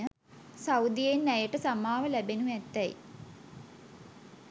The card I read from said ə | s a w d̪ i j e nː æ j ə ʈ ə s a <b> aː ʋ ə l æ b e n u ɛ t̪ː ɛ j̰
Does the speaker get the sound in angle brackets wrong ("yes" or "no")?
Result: yes